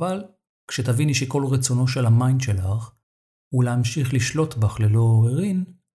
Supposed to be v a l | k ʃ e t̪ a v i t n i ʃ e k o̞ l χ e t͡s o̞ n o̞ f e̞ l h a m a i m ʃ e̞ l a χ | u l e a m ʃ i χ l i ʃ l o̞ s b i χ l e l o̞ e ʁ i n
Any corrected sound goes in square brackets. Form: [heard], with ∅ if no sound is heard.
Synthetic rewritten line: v a l | k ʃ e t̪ a v i [∅] n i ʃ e k o̞ l [ʁ] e t͡s o̞ n o̞ [ʃ] e̞ l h a m a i [n] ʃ e̞ l a χ | u l e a m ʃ i χ l i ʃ l o̞ [t] b [a] χ l e l o̞ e ʁ i n